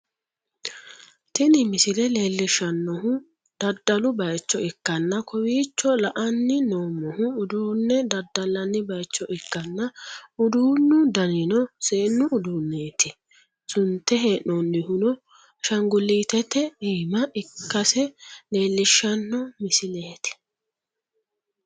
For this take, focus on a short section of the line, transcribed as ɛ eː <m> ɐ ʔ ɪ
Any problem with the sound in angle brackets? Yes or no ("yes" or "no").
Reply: no